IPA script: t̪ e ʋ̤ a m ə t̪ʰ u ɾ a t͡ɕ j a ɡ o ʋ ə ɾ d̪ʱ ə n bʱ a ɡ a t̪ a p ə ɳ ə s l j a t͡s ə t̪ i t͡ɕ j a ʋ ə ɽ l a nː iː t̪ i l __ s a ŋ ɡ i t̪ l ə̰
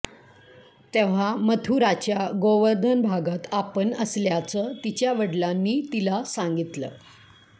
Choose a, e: a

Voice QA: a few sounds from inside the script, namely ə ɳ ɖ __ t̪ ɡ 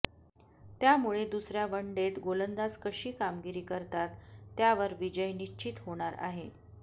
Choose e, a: e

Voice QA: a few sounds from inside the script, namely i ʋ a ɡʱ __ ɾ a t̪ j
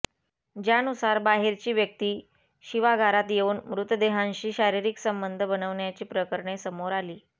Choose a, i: a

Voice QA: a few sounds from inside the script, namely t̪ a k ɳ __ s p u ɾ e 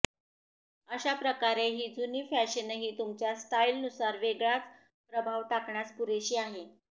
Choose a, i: a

